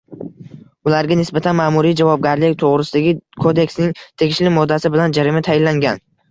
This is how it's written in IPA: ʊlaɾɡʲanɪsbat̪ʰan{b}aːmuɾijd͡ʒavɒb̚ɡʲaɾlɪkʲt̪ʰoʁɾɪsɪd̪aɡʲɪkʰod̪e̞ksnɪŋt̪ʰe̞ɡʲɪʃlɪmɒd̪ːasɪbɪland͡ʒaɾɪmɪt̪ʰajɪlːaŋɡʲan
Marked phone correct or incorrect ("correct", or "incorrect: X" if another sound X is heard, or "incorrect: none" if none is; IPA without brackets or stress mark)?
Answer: incorrect: m